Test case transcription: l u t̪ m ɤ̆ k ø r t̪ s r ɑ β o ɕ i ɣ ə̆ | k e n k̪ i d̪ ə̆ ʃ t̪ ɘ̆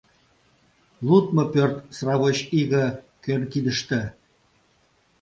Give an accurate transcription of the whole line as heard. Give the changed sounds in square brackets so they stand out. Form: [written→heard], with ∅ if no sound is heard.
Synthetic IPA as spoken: l u t̪ m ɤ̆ [k→p] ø r t̪ s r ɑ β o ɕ i ɣ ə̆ | k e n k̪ i d̪ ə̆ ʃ t̪ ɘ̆